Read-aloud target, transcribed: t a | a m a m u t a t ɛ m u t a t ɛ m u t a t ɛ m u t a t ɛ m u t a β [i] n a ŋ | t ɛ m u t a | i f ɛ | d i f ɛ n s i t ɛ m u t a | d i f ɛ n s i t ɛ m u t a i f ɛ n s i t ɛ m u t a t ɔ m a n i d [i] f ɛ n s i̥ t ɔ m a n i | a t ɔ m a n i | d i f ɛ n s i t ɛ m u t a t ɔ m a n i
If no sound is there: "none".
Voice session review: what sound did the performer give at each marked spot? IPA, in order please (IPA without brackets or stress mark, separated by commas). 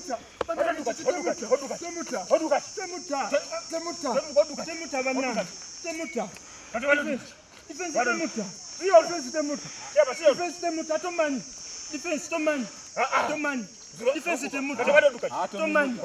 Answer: a, i